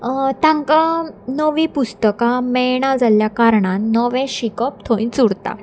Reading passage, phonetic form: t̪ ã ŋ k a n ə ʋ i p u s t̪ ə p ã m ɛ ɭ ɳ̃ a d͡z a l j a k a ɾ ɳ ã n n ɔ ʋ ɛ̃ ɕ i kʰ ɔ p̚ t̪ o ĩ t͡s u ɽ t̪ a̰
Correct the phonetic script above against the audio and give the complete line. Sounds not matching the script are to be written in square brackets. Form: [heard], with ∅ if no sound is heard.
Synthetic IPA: t̪ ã ŋ k a n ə ʋ i p u s t̪ ə [k] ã m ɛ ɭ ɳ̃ a d͡z a l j a k a ɾ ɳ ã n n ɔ ʋ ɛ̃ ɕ i [k] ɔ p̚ [t̪ʰ] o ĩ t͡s u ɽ t̪ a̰